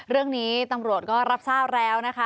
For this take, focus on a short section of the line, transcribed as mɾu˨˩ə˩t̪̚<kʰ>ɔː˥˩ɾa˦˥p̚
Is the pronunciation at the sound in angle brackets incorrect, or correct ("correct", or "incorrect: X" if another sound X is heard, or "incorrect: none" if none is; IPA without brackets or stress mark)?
incorrect: k